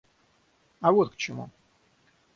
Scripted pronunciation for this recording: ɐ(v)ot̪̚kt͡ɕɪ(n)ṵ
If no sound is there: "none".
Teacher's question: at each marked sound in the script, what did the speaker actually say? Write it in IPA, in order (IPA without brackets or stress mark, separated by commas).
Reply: v, m